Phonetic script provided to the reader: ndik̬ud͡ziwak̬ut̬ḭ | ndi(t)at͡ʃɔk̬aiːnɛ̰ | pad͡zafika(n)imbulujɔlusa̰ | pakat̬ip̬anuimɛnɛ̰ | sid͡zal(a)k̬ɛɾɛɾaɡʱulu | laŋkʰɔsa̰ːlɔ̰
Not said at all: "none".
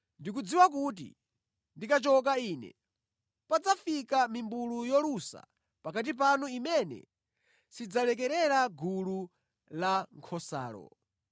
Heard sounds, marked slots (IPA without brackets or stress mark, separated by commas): k, m, ɛ